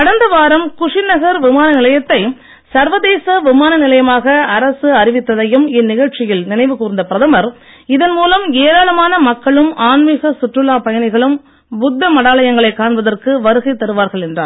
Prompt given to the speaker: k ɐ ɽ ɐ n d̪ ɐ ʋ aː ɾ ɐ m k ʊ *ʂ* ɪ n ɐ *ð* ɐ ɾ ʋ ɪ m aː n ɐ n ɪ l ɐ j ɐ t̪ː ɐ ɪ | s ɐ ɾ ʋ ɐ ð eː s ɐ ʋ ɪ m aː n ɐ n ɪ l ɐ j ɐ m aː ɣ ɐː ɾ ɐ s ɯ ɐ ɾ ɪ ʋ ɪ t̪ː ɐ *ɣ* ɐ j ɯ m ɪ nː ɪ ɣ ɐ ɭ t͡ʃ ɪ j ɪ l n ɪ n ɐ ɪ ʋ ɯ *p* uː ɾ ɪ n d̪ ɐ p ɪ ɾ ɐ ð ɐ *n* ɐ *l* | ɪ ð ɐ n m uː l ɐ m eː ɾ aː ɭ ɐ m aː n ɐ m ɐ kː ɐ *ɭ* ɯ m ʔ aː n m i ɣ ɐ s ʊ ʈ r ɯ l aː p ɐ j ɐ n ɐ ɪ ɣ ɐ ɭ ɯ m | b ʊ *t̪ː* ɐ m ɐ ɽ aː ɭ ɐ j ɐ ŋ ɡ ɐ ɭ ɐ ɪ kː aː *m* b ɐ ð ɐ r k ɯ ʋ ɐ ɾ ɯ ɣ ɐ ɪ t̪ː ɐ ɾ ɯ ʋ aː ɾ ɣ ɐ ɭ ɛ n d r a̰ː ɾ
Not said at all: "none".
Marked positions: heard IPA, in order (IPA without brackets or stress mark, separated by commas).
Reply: ʂ, ɣ, ð, k, m, ɾ, ɭ, d̪ː, ɳ